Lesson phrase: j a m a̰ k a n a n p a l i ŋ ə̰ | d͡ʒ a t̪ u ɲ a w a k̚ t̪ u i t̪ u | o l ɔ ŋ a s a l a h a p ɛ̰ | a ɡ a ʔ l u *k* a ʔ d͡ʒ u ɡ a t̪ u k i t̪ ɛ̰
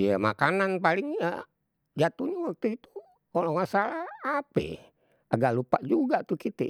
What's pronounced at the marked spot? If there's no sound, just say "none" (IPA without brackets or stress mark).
p